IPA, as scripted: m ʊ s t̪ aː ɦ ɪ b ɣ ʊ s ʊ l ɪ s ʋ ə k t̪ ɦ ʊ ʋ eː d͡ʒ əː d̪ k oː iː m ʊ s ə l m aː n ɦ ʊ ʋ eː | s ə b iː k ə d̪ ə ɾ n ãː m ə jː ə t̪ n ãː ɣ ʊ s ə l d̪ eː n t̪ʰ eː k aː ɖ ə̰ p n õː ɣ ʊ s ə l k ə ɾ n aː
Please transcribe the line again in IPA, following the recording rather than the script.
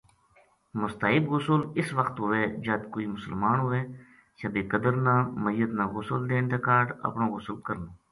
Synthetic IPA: m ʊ s t̪ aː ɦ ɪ b ɣ ʊ s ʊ l ɪ s ʋ ə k t̪ ɦ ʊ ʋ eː d͡ʒ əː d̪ k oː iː m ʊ s ə l m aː n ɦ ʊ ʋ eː | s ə b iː k ə d̪ ə ɾ n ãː m ə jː ə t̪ n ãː ɣ ʊ s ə l d̪ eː n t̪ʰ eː k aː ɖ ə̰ p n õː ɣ ʊ s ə l k ə ɾ n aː